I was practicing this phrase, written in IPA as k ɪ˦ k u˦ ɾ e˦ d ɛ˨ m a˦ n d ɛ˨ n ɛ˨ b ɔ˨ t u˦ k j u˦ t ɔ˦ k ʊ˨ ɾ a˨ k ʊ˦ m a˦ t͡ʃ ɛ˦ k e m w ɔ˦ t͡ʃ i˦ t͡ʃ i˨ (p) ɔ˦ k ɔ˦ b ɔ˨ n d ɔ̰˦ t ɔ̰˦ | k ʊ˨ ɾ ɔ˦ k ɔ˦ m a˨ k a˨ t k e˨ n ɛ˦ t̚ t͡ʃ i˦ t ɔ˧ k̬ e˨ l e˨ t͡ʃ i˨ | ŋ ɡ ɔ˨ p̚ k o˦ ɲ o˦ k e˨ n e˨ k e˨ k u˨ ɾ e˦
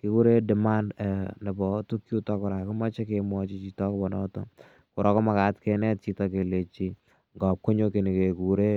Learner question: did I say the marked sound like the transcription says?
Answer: no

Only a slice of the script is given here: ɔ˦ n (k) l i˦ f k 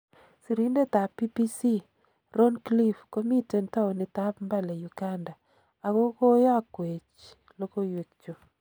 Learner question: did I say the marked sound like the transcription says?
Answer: yes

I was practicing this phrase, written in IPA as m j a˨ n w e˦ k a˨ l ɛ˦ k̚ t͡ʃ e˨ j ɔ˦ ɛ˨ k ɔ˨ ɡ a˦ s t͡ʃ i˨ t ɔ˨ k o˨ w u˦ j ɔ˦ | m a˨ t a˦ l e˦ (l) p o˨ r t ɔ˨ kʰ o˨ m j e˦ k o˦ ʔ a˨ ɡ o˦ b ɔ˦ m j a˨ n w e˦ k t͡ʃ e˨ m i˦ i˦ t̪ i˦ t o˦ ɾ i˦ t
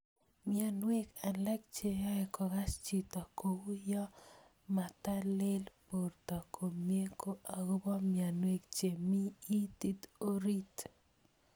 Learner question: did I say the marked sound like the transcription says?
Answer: yes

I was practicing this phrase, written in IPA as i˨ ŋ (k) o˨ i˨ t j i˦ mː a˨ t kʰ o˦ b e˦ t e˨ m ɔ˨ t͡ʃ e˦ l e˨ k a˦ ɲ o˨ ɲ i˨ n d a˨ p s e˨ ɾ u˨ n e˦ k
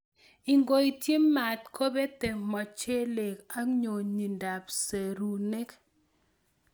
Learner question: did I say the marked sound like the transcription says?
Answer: no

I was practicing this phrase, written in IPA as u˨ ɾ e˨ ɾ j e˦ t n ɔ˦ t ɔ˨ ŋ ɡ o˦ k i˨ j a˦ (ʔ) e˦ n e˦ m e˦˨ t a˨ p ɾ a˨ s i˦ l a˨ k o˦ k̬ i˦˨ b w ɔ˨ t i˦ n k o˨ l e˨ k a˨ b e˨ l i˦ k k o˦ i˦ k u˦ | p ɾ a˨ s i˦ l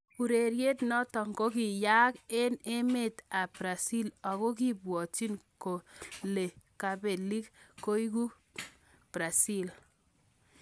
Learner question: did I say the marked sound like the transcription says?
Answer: no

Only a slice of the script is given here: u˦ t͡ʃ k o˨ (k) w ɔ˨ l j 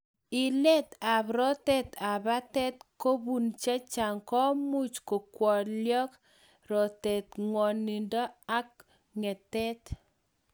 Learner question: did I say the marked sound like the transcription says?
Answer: yes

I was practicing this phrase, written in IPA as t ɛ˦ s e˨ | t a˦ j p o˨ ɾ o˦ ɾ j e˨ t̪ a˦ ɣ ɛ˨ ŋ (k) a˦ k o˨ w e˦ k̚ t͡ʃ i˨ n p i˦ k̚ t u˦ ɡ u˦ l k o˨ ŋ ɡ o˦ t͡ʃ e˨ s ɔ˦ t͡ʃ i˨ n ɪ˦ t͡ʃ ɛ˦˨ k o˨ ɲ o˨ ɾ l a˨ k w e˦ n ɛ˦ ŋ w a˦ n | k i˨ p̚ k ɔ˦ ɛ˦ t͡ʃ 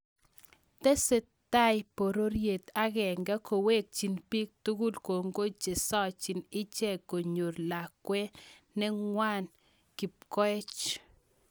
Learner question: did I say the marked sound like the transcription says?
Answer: no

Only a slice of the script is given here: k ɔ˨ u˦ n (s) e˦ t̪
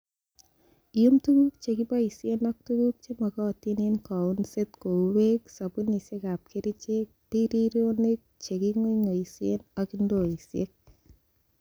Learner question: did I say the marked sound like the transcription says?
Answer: yes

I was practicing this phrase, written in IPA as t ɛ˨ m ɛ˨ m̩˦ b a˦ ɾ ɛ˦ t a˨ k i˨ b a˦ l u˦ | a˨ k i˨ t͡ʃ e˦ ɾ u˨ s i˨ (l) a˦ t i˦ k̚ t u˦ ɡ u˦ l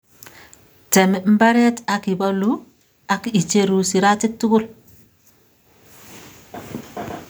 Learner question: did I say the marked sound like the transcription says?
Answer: no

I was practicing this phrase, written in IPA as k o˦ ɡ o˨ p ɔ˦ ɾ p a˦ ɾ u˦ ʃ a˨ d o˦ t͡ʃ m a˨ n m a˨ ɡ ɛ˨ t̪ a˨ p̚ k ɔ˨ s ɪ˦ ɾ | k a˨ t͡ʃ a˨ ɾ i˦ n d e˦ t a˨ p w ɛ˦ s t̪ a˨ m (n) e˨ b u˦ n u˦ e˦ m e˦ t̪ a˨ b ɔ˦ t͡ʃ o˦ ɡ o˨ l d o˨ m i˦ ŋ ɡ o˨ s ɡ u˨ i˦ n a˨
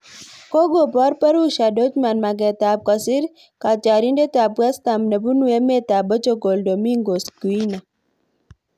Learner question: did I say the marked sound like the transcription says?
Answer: yes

